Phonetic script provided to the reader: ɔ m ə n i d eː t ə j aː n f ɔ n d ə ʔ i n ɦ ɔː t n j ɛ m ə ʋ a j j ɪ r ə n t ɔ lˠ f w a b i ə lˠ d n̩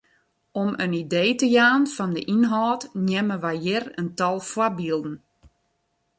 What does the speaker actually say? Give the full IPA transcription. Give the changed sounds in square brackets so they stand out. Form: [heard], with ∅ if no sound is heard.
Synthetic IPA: ɔ m ə n i d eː t ə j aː n f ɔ n d ə ʔ i n ɦ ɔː t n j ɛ m ə ʋ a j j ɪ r ə n t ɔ lˠ f w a b i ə lˠ d n̩